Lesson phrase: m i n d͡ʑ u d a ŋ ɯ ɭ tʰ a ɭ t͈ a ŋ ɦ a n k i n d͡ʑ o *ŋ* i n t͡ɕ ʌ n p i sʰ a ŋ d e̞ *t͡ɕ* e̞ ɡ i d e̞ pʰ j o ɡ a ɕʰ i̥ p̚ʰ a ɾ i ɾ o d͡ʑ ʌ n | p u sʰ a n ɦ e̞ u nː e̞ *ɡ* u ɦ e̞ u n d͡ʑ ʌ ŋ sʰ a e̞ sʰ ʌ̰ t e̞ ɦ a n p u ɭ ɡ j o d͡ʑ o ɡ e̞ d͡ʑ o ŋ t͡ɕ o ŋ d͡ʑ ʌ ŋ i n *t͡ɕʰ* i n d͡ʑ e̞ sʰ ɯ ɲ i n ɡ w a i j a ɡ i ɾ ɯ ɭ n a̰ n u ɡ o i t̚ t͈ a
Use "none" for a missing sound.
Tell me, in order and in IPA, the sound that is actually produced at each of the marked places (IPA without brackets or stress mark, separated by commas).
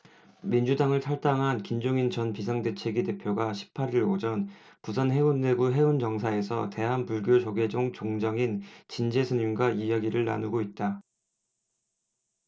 ŋ, t͡ɕʰ, ɡ, t͡ɕ